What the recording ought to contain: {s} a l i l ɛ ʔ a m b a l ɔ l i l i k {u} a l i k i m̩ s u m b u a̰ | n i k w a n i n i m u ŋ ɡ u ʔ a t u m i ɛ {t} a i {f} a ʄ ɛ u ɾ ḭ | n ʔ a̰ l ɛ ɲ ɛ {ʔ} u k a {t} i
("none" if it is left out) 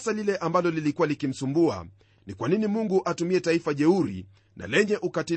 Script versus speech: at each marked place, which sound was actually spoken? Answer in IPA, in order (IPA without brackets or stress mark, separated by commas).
s, u, t, f, ʔ, t